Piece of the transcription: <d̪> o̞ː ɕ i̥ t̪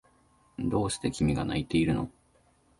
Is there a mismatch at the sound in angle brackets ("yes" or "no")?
no